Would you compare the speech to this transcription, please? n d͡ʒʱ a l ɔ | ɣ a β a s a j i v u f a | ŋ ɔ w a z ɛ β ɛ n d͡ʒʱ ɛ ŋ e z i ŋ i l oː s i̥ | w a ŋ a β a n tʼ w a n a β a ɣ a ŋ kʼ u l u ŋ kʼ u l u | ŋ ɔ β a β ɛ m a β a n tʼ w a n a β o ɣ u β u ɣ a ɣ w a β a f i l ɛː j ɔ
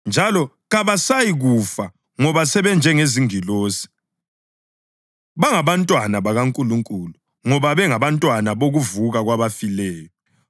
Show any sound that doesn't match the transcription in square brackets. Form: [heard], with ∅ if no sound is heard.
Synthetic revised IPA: n d͡ʒʱ a l ɔ | ɣ a β a s a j i [ɣ] u f a | ŋ ɔ [β] a [s] ɛ β ɛ n d͡ʒʱ ɛ ŋ e z i ŋ i l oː s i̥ | [β] a ŋ a β a n tʼ w a n a β a ɣ a ŋ kʼ u l u ŋ kʼ u l u | ŋ ɔ β a β ɛ [ŋ] a β a n tʼ w a n a β o ɣ u [v] u ɣ a ɣ w a β a f i l ɛː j ɔ